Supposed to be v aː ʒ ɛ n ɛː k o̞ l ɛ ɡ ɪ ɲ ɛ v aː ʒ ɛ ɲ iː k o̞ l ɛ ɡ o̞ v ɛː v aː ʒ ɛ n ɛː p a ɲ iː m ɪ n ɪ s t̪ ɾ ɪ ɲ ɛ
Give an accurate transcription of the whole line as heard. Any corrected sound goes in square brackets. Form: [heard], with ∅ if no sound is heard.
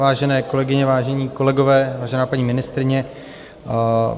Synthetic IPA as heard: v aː ʒ ɛ n ɛː k o̞ l ɛ ɡ ɪ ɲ ɛ v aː ʒ ɛ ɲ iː k o̞ l ɛ ɡ o̞ v ɛː v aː ʒ ɛ n [aː] p a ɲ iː m ɪ n ɪ s t̪ ɾ ɪ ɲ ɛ